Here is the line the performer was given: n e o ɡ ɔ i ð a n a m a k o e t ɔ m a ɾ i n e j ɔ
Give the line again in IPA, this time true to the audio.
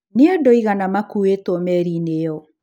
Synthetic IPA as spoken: n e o d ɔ i ɣ a n a m a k u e t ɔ m ɛ ɾ i n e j ɔ